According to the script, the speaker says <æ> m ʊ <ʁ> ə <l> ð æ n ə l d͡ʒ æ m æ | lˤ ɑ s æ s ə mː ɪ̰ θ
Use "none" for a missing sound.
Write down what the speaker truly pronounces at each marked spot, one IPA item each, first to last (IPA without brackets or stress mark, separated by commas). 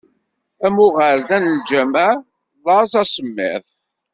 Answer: æ, ʁ, ɾ